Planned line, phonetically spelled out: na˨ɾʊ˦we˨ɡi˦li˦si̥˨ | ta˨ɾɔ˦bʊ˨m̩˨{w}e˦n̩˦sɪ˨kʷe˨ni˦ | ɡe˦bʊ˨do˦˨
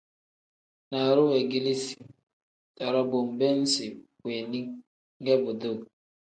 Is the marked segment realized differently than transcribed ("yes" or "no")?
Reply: yes